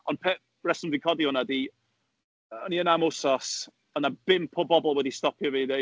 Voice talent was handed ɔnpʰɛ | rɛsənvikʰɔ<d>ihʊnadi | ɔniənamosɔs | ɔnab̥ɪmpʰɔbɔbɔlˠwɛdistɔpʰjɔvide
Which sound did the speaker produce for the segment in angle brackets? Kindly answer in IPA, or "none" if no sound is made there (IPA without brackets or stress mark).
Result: d